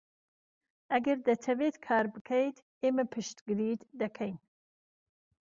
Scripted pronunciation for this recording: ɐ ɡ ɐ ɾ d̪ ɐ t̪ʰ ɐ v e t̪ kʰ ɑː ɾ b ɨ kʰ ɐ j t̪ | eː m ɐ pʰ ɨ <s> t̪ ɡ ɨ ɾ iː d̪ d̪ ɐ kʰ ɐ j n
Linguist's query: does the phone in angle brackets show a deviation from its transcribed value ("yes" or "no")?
yes